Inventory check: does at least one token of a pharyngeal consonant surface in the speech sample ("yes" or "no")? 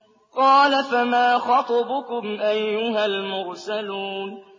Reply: no